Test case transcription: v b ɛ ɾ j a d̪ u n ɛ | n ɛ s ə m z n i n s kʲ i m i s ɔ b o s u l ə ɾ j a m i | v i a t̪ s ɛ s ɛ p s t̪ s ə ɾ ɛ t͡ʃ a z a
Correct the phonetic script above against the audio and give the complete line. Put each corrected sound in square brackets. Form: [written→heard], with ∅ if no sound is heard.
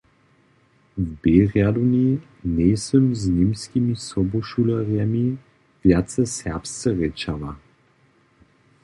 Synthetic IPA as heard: v b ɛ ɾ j a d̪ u n [ɛ→i] | n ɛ s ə m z n i [n→m] s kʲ i m i s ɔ b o [s→ʃ] u l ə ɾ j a m i | v [i→j] a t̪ s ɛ s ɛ p s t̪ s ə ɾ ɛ t͡ʃ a [z→v] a